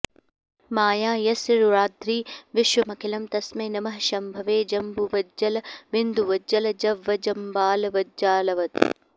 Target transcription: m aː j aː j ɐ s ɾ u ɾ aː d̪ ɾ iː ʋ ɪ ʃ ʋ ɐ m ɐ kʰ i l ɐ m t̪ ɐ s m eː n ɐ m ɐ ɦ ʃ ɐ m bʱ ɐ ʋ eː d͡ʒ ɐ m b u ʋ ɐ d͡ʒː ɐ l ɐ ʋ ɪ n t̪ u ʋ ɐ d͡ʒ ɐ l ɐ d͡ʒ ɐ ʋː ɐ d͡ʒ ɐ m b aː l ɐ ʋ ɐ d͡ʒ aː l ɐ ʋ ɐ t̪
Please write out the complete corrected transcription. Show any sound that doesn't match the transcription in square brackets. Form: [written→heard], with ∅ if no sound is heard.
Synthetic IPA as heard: m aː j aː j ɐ s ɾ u ɾ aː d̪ ɾ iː ʋ ɪ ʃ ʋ ɐ m ɐ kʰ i l ɐ m t̪ ɐ s m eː n ɐ m ɐ ɦ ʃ ɐ m bʱ ɐ ʋ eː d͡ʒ ɐ m b u ʋ ɐ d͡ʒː ɐ l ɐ ʋ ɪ n [t̪→d̪] u ʋ ɐ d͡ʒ ɐ l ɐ d͡ʒ ɐ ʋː ɐ d͡ʒ ɐ m b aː l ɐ ʋ ɐ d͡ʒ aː l ɐ ʋ ɐ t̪